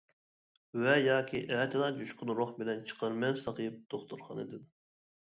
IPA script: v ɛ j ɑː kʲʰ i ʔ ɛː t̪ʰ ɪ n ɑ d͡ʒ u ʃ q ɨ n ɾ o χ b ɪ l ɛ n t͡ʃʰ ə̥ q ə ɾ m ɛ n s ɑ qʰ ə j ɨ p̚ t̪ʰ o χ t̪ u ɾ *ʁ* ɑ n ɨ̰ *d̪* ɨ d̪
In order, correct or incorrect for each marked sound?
incorrect: χ, correct

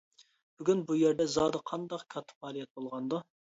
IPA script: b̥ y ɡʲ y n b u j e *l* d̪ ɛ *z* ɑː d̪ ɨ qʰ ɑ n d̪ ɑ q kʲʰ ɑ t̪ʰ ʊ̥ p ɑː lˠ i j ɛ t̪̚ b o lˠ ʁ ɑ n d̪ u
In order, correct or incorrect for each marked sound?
incorrect: ɾ, correct

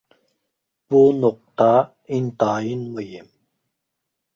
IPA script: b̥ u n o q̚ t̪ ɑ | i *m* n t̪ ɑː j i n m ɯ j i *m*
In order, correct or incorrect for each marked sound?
incorrect: none, correct

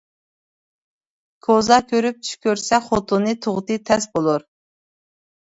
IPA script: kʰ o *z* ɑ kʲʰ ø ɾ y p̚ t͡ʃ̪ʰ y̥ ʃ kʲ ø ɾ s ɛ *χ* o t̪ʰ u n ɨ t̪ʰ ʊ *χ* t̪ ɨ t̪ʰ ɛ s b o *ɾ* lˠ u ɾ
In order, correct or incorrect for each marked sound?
correct, correct, incorrect: ʁ, incorrect: none

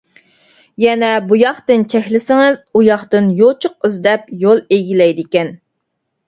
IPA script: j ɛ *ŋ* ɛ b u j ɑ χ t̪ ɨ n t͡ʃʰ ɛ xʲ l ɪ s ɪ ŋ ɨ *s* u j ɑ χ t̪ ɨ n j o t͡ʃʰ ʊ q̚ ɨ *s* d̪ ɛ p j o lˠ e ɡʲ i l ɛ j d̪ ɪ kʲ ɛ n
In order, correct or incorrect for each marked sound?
incorrect: n, incorrect: z, incorrect: z

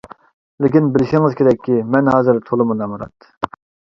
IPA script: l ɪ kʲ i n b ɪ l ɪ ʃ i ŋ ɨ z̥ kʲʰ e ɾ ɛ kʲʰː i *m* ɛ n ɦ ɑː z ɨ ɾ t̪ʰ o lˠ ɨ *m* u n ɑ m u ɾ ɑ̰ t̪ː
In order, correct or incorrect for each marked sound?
correct, correct

